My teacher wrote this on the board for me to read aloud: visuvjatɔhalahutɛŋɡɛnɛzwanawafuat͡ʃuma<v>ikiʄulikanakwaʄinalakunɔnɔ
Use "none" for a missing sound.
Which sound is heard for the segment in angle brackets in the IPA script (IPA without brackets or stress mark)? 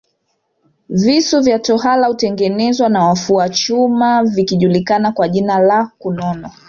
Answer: v